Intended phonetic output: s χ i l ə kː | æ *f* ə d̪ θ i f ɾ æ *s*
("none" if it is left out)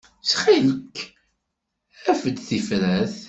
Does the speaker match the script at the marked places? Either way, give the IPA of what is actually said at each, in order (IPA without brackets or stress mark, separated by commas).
f, θ